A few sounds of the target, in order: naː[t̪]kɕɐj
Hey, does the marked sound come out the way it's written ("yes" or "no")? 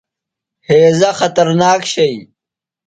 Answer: no